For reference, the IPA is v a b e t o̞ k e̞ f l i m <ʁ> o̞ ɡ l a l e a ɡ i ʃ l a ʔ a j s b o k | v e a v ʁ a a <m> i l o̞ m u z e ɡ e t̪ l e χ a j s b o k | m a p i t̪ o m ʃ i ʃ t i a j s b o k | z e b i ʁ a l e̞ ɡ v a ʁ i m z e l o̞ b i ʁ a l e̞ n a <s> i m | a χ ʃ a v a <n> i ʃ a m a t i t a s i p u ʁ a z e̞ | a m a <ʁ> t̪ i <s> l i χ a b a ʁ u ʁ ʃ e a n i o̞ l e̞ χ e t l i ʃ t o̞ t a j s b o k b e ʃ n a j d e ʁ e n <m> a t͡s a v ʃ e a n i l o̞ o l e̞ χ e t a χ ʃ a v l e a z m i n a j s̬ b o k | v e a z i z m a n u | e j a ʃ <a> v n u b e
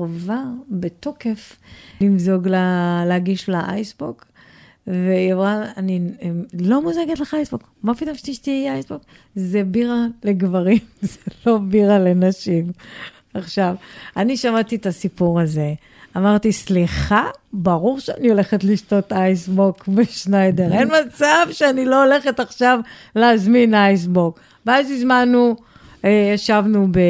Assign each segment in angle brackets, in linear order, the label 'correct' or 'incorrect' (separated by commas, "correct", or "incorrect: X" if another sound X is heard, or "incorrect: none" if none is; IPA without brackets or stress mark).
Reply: incorrect: z, incorrect: n, incorrect: ʃ, correct, correct, correct, correct, correct